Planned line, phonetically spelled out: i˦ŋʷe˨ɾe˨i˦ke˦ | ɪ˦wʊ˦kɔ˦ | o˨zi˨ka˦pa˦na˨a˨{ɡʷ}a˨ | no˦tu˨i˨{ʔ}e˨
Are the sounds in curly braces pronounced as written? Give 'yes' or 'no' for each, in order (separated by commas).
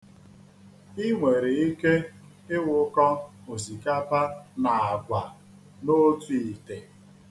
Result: yes, no